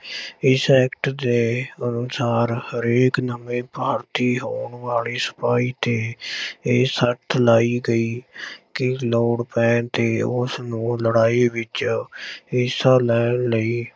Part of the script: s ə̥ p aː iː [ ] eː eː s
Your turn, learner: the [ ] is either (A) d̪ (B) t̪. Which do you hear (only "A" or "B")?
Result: B